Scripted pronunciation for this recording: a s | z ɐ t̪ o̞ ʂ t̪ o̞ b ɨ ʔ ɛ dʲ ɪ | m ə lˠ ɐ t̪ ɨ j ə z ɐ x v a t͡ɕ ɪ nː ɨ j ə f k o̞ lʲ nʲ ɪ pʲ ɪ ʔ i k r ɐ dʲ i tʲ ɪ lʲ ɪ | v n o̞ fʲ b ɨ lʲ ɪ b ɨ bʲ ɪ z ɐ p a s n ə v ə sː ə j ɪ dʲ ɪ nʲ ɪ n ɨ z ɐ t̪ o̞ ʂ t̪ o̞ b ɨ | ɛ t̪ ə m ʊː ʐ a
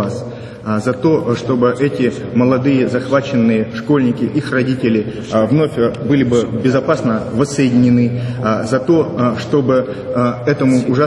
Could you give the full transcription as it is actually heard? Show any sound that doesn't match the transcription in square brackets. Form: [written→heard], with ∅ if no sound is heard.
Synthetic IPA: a s | z ɐ t̪ o̞ ʂ t̪ o̞ b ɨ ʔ ɛ [dʲ→tʲ] ɪ | m ə lˠ ɐ [t̪→d̪] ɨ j ə z ɐ x v a t͡ɕ ɪ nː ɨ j ə [f→ʂ] k o̞ lʲ nʲ ɪ [pʲ→kʲ] ɪ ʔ i [k→x] r ɐ dʲ i tʲ ɪ lʲ ɪ | v n o̞ fʲ b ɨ lʲ ɪ b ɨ bʲ ɪ z ɐ p a s n ə v ə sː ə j ɪ dʲ ɪ nʲ ɪ n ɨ z ɐ t̪ o̞ ʂ t̪ o̞ b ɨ | ɛ t̪ ə m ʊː ʐ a